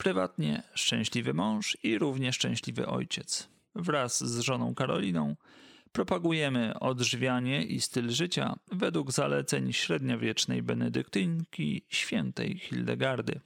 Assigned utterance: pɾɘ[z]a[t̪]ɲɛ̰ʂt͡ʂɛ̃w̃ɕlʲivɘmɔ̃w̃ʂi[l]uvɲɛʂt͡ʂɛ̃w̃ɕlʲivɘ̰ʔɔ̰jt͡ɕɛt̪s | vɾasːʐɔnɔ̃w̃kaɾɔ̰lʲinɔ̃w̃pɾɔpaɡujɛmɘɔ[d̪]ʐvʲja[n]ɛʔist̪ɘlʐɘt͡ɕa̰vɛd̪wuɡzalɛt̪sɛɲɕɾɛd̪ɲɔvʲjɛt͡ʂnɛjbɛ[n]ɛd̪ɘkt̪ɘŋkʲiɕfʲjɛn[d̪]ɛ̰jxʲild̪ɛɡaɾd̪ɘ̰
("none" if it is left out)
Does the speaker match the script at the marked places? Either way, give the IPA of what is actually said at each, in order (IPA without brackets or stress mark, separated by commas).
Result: v, t̪, ɾ, d̪, ɲ, n, t̪